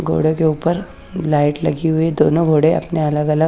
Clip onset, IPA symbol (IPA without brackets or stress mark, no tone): ɡʱ